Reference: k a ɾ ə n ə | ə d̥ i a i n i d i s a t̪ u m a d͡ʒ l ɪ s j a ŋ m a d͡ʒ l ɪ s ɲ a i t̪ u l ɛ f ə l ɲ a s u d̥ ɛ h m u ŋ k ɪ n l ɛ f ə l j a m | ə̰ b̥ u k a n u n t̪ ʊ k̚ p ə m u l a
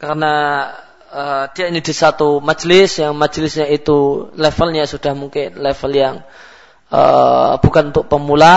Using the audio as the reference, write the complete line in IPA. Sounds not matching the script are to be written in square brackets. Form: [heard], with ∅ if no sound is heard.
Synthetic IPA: k a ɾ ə n [a] | ə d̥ i a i n i d i s a t̪ u m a d͡ʒ l ɪ s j a ŋ m a d͡ʒ l ɪ s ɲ a i t̪ u l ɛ f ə l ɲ a s u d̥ [a] h m u ŋ k ɪ n l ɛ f ə l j a [ŋ] | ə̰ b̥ u k a n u n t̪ ʊ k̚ p ə m u l a